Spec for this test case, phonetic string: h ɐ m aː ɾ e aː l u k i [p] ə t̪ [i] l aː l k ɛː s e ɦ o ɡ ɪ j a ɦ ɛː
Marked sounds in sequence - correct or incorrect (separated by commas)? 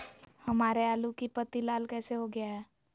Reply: correct, correct